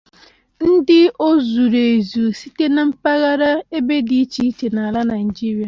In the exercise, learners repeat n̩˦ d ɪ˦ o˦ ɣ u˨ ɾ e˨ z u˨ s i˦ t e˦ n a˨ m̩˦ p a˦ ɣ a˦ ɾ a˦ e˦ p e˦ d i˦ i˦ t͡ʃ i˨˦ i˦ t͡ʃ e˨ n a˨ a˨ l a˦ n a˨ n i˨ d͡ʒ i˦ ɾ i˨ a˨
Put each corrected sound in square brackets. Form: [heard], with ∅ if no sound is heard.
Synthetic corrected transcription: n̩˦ d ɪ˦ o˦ [z] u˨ ɾ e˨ z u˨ s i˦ t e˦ n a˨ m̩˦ p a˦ ɣ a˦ ɾ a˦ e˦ [b] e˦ d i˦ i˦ t͡ʃ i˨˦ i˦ t͡ʃ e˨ n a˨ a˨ l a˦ n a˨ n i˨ d͡ʒ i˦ ɾ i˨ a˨